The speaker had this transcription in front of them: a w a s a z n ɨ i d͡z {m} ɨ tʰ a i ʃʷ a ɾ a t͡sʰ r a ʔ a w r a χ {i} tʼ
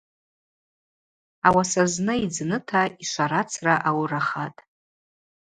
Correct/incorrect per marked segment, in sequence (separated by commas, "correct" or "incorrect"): incorrect, incorrect